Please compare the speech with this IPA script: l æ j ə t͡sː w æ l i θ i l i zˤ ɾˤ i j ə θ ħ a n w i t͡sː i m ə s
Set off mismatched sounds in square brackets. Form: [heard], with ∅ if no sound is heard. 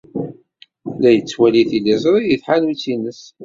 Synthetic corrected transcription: l æ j ə t͡sː w æ l i θ i l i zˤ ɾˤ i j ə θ ħ a n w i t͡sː i [n] ə s

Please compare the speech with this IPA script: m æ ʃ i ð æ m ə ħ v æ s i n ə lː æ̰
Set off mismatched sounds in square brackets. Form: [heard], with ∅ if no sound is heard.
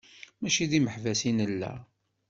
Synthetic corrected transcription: m æ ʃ i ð [i] m ə ħ v æ s i n ə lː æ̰

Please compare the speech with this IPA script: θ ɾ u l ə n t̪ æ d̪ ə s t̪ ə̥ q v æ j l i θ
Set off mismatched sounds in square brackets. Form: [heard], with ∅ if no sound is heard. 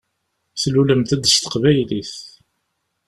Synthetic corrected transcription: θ [l] u l ə [m] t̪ æ d̪ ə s t̪ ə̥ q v æ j l i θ

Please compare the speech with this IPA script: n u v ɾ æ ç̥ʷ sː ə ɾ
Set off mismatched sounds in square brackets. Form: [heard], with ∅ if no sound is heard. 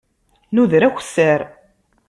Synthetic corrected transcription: n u [ð] ɾ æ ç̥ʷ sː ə ɾ

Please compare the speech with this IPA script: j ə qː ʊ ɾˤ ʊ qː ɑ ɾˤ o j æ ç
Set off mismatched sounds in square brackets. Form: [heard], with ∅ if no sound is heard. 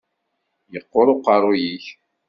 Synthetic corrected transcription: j ə qː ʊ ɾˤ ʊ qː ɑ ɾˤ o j [i] ç

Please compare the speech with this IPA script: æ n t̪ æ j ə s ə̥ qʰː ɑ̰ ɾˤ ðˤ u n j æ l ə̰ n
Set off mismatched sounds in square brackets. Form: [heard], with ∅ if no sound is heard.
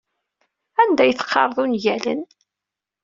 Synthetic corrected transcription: æ n [d̪] æ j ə [θ] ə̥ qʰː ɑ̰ ɾˤ ðˤ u n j æ l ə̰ n

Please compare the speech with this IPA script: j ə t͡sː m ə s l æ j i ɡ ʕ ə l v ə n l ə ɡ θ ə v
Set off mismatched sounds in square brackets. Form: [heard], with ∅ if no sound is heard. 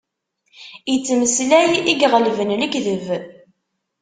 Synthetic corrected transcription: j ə t͡sː m ə s l æ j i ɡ [ʁ] ə l v ə n l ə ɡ [ð] ə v

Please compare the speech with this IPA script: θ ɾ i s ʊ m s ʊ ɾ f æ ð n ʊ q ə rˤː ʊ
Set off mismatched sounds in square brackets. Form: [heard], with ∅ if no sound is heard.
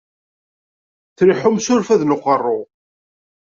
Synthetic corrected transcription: θ ɾ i [ħ] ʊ m s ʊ ɾ f æ ð n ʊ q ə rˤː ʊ

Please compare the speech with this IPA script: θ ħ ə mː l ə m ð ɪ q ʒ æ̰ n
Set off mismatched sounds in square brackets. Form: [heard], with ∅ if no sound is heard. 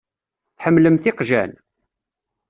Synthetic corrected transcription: θ ħ ə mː l ə m [θ] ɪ q ʒ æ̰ n

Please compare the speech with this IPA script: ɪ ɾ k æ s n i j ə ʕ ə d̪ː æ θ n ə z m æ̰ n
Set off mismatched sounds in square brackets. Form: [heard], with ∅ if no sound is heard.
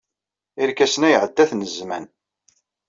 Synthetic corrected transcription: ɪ ɾ k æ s n [æ] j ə ʕ ə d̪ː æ θ n ə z m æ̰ n

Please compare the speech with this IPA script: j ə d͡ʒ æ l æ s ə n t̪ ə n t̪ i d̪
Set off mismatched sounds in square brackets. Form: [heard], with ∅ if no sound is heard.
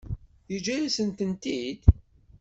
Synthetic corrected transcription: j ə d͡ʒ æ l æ s ə n t̪ ə n t̪ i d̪

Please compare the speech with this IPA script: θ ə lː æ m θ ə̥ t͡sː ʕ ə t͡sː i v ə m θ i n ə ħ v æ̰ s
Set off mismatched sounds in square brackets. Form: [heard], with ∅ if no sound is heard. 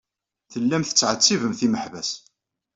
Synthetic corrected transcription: θ ə lː æ m θ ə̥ t͡sː ʕ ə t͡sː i v ə m θ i [m] ə ħ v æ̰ s

